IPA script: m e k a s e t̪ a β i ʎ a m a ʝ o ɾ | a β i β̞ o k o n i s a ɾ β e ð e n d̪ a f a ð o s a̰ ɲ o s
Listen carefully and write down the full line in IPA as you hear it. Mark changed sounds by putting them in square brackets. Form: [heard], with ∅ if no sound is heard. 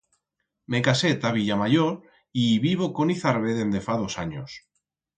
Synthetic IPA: m e k a s e t̪ a β i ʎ a m a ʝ o ɾ | [i] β i β̞ o k o n i [θ] a ɾ β e ð e n d̪ [e] f a ð o s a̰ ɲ o s

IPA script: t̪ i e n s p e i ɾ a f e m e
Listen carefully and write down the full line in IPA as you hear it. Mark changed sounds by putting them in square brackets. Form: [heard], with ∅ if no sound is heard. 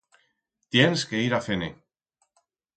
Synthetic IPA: t̪ [j] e n s [k] e i ɾ a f e [n] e

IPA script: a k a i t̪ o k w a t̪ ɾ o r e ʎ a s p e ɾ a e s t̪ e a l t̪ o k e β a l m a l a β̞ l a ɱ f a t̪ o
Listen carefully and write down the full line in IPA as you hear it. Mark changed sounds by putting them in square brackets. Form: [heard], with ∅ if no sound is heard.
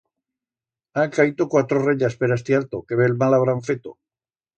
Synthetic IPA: a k a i t̪ o k w a t̪ ɾ o r e ʎ a s p e ɾ a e s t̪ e a l t̪ o k e β [e] l m a l a β̞ [ɾ] a ɱ f [e] t̪ o

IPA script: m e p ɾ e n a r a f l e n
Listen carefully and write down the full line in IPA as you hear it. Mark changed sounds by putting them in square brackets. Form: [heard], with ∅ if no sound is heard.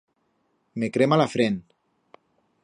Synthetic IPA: m e [k] ɾ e [m] a [l] a f [ɾ] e n

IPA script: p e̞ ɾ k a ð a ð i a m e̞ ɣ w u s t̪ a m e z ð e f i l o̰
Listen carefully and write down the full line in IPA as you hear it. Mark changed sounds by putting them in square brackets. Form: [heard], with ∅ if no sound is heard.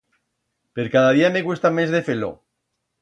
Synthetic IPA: p e̞ ɾ k a ð a ð i a m e̞ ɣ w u s t̪ a m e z ð e f [e] l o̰

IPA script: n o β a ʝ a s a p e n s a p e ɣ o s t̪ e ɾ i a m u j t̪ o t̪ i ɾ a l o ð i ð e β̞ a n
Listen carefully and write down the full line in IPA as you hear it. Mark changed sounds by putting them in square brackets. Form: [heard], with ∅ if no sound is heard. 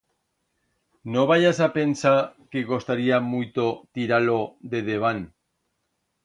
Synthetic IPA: n o β a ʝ a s a p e n s a [k] e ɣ o s t̪ [a] ɾ i a m u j t̪ o t̪ i ɾ a l o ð [e] ð e β̞ a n

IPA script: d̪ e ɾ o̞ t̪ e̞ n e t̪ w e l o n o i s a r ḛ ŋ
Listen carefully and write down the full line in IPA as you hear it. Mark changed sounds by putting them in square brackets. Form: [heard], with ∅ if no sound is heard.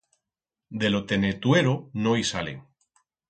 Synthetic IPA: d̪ e [l] o̞ t̪ e̞ n e t̪ w e [ɾ] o n o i s a [l] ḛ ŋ

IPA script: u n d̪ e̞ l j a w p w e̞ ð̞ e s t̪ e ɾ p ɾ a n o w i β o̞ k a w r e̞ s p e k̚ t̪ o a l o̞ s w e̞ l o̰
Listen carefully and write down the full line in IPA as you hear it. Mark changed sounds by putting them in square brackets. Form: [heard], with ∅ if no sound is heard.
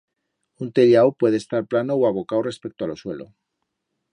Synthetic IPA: u n [t̪] e̞ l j a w p w e̞ ð̞ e s t̪ [a] ɾ p [l] a n o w [a] β o̞ k a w r e̞ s p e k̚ t̪ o a l o̞ s w e̞ l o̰

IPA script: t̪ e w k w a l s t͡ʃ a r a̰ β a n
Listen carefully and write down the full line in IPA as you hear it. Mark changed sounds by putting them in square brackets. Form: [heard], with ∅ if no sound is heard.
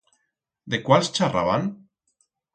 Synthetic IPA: [d̪] e [∅] k w a l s t͡ʃ a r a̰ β a n

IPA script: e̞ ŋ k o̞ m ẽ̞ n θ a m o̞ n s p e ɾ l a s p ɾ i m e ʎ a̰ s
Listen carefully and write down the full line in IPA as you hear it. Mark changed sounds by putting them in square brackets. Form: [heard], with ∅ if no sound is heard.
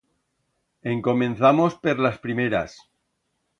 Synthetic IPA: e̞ ŋ k o̞ m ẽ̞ n θ a m o̞ [∅] s p e ɾ l a s p ɾ i m e [ɾ] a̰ s

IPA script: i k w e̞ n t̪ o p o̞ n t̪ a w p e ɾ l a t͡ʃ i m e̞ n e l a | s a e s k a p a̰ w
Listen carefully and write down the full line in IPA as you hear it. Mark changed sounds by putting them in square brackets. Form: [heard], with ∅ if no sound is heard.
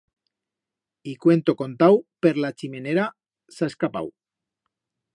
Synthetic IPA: i k w e̞ n t̪ o [k] o̞ n t̪ a w p e ɾ l a t͡ʃ i m e̞ n e [ɾ] a | s a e s k a p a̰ w

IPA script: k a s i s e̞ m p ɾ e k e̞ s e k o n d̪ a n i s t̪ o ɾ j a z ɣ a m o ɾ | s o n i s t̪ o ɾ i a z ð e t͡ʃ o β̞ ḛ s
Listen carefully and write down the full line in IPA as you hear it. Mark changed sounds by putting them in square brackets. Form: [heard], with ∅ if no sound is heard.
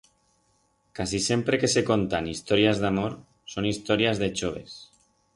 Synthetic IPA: k a s i s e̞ m p ɾ e k e̞ s e k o n [t̪] a n i s t̪ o ɾ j a z [ð] a m o ɾ | s o n i s t̪ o ɾ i a z ð e t͡ʃ o β̞ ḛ s

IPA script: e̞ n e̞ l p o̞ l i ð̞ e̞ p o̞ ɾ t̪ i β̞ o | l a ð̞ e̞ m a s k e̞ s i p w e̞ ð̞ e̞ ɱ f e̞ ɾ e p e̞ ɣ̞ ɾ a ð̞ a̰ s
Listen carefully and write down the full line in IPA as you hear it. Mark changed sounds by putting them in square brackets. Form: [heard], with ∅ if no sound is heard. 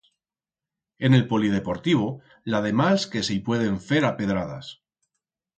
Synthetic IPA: e̞ n e̞ l p o̞ l i ð̞ e̞ p o̞ ɾ t̪ i β̞ o | l a ð̞ e̞ m a s k e̞ s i p w e̞ ð̞ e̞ ɱ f e̞ ɾ [a] p e̞ [ð̞] ɾ a ð̞ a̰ s

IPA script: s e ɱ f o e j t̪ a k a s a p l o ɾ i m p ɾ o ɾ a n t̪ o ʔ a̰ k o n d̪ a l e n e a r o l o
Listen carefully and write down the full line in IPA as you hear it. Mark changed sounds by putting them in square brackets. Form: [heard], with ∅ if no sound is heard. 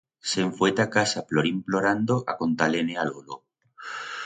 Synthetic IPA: s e ɱ f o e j t̪ a k a s a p l o ɾ i m p [l] o ɾ a n [d̪] o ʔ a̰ k o n [t̪] a l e n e a [l] o l o

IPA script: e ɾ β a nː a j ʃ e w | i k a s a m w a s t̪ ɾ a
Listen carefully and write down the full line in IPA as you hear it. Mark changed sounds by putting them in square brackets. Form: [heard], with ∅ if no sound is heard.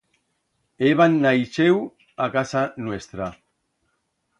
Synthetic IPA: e [∅] β a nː a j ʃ e w | [a] k a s a [n] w [e] s t̪ ɾ a

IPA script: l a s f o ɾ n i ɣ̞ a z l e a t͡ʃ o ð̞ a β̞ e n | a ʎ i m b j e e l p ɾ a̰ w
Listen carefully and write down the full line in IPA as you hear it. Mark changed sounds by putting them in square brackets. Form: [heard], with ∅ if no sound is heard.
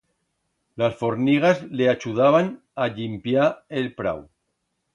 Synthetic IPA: l a s f o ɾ n i ɣ̞ a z l e a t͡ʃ [u] ð̞ a β̞ [a] n | a ʎ i m [p] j [a] e l p ɾ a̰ w

